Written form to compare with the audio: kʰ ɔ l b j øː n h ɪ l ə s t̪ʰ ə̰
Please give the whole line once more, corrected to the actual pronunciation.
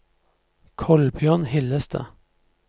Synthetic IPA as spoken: kʰ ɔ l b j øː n h ɪ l ə s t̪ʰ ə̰